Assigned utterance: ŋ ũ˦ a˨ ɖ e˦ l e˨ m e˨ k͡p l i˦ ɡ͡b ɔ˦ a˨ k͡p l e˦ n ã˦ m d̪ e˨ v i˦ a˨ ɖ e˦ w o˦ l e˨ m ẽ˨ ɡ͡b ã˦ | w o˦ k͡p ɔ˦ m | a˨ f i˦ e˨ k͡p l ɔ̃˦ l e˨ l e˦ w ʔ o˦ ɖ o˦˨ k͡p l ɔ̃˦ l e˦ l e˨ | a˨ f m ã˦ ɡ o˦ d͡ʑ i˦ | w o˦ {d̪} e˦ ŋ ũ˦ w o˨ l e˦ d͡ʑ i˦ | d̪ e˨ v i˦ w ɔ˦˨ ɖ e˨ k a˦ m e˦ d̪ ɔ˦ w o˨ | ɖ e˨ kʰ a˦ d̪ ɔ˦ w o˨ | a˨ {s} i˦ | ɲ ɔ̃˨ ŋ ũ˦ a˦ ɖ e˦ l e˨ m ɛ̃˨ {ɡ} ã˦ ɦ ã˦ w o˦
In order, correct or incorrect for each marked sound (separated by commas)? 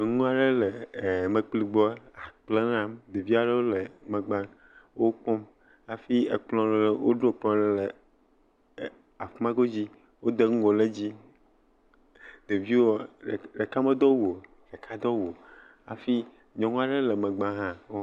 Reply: correct, incorrect, incorrect